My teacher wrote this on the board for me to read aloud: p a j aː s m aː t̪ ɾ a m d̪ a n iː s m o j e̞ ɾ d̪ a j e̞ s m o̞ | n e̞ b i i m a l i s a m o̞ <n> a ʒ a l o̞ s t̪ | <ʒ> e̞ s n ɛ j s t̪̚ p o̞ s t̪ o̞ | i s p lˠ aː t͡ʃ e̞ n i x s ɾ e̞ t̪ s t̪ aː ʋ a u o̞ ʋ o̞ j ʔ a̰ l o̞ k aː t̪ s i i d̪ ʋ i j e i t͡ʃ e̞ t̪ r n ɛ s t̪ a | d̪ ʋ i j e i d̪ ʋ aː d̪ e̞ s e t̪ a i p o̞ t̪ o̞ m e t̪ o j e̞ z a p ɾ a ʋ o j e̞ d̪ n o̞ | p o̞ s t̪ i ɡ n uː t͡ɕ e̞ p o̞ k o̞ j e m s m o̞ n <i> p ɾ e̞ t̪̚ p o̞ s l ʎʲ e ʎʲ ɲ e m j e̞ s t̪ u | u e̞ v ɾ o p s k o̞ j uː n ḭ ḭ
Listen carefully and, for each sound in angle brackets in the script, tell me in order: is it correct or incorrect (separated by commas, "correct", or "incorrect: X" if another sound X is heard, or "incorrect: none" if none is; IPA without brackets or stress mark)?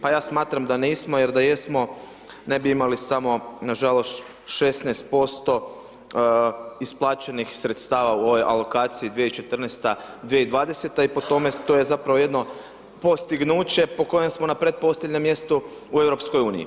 correct, incorrect: ʃ, incorrect: a